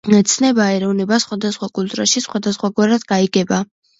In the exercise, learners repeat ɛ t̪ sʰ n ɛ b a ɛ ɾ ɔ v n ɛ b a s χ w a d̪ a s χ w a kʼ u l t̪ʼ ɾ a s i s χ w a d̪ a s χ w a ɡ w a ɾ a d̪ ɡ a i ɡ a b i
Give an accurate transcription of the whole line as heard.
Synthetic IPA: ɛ t̪ sʰ n ɛ b a ɛ ɾ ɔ v n ɛ b a s χ w a d̪ a s χ w a kʼ u l t̪ʼ ɾ a ʃ i s χ w a d̪ a s χ w a ɡ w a ɾ a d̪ ɡ a i ɡ ɛ b a